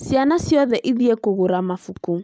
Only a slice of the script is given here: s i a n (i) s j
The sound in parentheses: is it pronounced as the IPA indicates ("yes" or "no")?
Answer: no